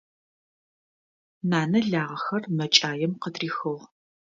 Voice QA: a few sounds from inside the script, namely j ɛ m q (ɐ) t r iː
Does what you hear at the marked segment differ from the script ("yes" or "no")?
yes